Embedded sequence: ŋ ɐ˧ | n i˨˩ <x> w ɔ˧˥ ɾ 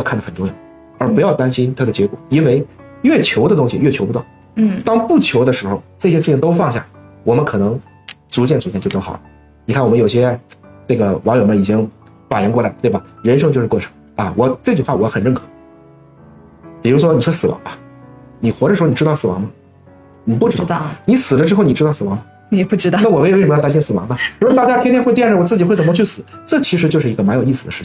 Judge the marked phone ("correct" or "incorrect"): correct